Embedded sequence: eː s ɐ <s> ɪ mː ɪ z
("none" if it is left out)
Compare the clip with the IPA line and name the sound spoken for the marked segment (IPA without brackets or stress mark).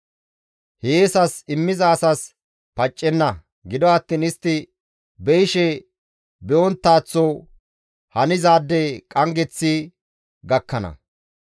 s